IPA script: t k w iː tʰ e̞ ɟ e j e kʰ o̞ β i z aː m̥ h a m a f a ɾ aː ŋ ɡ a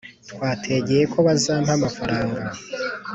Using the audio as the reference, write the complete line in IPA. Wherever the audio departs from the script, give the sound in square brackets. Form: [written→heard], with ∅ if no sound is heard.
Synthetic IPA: t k w [iː→aː] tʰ e̞ ɟ e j e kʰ o̞ β [i→a] z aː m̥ h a m a f a ɾ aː ŋ ɡ a